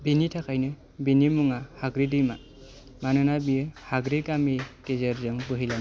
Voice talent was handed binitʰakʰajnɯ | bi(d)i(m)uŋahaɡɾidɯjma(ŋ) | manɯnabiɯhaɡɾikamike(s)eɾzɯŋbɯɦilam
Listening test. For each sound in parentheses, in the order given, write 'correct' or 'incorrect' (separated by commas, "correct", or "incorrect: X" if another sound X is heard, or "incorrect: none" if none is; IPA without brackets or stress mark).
incorrect: n, correct, incorrect: none, incorrect: z